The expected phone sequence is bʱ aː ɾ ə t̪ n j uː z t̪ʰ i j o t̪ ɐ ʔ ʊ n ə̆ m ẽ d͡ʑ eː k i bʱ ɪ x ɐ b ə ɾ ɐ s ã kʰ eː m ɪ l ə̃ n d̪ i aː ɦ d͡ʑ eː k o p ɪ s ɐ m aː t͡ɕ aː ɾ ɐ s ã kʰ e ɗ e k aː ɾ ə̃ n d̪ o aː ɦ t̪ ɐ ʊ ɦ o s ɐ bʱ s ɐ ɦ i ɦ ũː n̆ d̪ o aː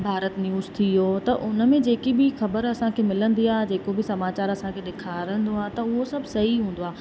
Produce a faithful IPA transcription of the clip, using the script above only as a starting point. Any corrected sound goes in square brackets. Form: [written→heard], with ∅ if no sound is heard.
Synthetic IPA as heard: bʱ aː ɾ ə t̪ n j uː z t̪ʰ i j o t̪ ɐ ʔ ʊ n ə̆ m ẽ d͡ʑ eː k i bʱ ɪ x ɐ b ə ɾ ɐ s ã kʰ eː m ɪ l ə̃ n d̪ i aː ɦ d͡ʑ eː k o [p→b] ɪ s ɐ m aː t͡ɕ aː ɾ ɐ s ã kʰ e ɗ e [k→kʰ] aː ɾ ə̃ n d̪ o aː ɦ t̪ ɐ ʊ ɦ o s ɐ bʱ s ɐ ɦ i ɦ ũː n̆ d̪ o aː